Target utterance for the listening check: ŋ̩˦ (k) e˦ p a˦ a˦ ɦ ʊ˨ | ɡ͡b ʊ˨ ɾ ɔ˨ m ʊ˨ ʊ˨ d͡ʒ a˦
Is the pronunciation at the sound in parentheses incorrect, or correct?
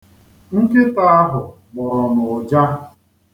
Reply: correct